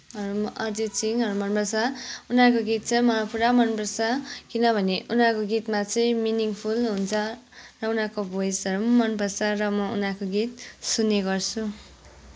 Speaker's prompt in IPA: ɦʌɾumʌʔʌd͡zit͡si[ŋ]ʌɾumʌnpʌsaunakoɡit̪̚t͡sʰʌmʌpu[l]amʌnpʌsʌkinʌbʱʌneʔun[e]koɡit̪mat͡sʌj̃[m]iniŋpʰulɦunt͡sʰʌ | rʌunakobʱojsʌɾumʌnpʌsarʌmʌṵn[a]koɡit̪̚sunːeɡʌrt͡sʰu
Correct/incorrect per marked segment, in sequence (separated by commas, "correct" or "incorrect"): correct, incorrect, incorrect, correct, correct